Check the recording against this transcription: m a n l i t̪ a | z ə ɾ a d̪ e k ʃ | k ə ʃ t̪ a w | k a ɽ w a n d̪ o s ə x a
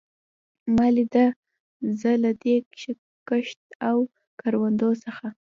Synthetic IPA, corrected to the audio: m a l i d̪ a | z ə l a d̪ e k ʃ | k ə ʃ t̪ a w | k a ɾ w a n d̪ o s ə x a

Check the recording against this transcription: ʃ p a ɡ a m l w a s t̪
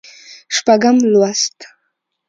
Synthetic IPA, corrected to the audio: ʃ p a ɡ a m l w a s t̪

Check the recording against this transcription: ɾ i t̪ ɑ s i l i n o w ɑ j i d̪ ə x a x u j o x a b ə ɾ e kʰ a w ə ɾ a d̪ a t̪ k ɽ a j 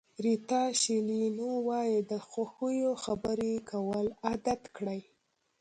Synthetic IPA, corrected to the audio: ɾ i t̪ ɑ ʃ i l i n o w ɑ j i d̪ ə x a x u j o x a b ə ɾ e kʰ a w ə l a d̪ a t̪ k ɽ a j

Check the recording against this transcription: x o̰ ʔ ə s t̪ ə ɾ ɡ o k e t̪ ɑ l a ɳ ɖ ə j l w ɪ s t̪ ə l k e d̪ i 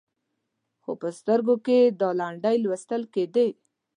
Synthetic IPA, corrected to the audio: x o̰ p ə s t̪ ə ɾ ɡ o k e d̪ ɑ l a ɳ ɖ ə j l w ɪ s t̪ ə l k e d̪ e

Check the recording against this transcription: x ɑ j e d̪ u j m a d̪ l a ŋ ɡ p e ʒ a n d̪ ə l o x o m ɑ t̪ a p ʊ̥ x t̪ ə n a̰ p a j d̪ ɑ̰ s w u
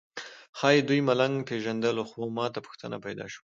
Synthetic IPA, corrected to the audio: x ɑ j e d̪ u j m a l a ŋ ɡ p e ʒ a n d̪ ə l o x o m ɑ t̪ a p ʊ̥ x t̪ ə n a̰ p a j d̪ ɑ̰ ʃ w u

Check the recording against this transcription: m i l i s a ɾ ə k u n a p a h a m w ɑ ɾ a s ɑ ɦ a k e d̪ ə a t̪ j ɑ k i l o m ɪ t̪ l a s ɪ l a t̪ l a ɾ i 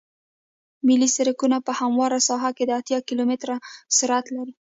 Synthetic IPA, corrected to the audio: m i l i s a ɾ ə k u n a p ə h a m w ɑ ɾ a s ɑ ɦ a k e d̪ ə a t̪ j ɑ k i l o m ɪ t̪ ɾ a s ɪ ɾ a t̪ l a ɾ i

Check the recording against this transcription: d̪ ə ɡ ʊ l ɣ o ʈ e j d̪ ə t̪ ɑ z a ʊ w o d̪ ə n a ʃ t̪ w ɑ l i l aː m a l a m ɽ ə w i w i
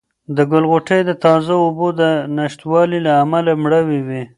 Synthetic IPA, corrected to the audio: d̪ ə ɡ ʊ l ɣ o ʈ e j d̪ ə t̪ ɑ z a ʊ b o d̪ ə n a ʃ t̪ w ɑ l i l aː m a l a m ɽ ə w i w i

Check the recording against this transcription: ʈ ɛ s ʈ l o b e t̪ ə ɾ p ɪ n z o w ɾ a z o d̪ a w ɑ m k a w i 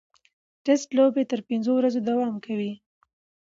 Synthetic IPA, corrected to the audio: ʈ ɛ s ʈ l o b e t̪ ə ɾ p ɪ n z o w ɾ a z o d̪ a w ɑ m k a w i

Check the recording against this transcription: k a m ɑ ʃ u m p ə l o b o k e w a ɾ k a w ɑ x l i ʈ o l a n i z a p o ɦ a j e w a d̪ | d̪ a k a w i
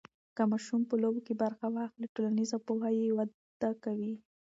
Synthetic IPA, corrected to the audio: k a m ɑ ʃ u m p ə l o b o k e b a ɾ x a w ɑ x l i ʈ o l a n i z a p o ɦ a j e w a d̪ | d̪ a k a w i

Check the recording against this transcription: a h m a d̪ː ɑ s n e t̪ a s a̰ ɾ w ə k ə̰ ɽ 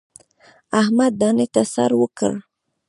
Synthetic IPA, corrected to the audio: a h m a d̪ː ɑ n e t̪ a s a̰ ɾ w ə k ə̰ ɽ

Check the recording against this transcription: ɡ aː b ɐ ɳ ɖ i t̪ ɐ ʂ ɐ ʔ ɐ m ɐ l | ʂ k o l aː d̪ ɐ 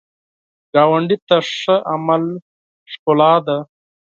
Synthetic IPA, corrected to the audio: ɡ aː w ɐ ɳ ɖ i t̪ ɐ ʂ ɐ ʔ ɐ m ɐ l | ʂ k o l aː d̪ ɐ

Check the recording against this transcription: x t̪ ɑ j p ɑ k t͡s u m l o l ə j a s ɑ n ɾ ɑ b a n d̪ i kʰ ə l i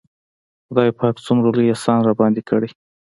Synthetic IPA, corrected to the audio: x d̪ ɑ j p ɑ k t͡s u m ɾ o l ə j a s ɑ n ɾ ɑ b ɑ n d̪ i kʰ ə ɽ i

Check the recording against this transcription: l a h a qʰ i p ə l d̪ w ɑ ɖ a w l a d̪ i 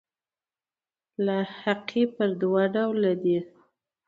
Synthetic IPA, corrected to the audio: l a h a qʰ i p ə ɾ d̪ w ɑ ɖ a w l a d̪ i

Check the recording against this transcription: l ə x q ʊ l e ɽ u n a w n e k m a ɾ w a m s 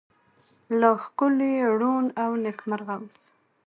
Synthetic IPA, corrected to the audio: l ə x k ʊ l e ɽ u n a w n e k m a ɾ ɣ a m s

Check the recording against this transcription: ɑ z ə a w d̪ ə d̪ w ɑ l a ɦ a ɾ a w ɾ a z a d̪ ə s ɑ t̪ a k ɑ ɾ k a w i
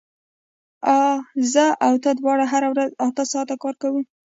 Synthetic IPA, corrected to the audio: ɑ z ə a w t̪ ə d̪ w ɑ ɽ a ɦ a ɾ a w ɾ a z a t̪ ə s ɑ t̪ a k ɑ ɾ k a w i

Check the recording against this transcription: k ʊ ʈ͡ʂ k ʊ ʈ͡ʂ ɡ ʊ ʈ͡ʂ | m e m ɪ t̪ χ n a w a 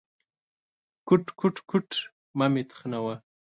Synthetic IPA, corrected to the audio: k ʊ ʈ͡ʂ k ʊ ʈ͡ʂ k ʊ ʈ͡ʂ | m a m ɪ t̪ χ n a w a

